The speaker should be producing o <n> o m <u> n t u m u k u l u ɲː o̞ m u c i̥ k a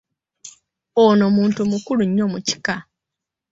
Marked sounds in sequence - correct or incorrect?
correct, incorrect

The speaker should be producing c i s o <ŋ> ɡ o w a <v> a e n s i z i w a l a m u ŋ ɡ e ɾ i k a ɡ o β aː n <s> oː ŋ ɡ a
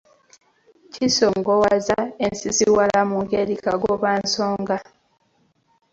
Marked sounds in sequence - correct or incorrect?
correct, incorrect, correct

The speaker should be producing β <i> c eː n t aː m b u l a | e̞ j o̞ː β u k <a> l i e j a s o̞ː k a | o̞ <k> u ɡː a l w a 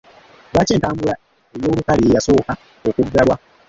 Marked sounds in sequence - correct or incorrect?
incorrect, correct, correct

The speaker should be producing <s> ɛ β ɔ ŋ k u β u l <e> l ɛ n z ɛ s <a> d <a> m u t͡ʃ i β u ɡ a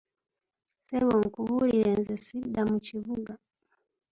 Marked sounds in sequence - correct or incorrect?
correct, incorrect, incorrect, correct

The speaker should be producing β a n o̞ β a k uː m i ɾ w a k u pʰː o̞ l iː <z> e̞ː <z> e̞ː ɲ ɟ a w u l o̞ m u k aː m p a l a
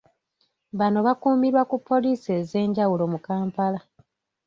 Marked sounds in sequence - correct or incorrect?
incorrect, correct

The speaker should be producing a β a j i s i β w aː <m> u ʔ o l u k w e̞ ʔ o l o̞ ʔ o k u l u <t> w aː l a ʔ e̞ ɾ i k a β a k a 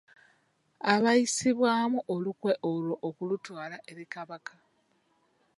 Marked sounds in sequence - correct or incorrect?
correct, correct

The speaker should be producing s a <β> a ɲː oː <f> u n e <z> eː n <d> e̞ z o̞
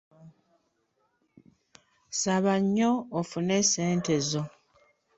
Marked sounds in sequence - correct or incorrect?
correct, correct, incorrect, incorrect

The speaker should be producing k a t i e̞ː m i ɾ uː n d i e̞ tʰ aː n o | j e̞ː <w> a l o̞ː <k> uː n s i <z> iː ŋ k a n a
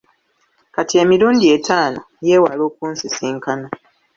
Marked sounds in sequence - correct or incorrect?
correct, correct, incorrect

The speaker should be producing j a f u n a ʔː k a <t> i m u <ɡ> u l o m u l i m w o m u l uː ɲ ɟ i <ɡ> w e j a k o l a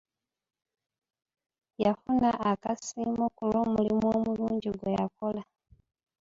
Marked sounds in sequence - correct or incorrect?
incorrect, incorrect, correct

